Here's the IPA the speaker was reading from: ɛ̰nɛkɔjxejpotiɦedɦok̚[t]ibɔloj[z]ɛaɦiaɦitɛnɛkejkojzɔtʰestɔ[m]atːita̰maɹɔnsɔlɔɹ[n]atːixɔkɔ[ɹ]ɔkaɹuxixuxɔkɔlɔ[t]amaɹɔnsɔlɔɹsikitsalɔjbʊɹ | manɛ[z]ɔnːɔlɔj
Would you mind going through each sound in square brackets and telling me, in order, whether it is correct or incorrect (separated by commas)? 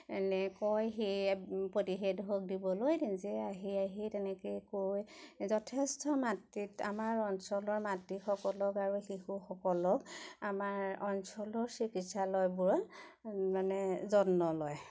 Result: incorrect, correct, correct, incorrect, incorrect, incorrect, correct